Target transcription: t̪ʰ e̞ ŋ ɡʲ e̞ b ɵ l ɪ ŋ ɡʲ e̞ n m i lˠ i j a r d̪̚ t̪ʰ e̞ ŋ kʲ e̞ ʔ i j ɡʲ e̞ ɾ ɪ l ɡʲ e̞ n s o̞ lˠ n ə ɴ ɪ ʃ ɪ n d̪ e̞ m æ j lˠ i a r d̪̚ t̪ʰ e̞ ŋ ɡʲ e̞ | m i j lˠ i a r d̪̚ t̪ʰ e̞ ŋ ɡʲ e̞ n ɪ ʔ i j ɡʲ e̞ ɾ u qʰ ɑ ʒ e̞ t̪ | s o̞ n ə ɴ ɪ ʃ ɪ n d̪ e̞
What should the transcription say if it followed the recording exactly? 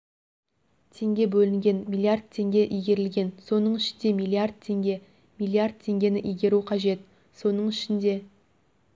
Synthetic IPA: t̪ʰ e̞ ŋ ɡʲ e̞ b ɵ l ɪ ŋ ɡʲ e̞ n m i lˠ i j a r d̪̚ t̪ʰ e̞ ŋ ɡʲ e̞ ʔ i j ɡʲ e̞ ɾ ɪ l ɡʲ e̞ n s o̞ n ə ɴ ɪ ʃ ɪ n d̪ e̞ m i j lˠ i a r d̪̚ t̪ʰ e̞ ŋ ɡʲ e̞ | m i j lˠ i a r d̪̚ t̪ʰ e̞ ŋ ɡʲ e̞ n ɪ ʔ i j ɡʲ e̞ ɾ u qʰ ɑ ʒ e̞ t̪ | s o̞ n ə ɴ ɪ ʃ ɪ n d̪ e̞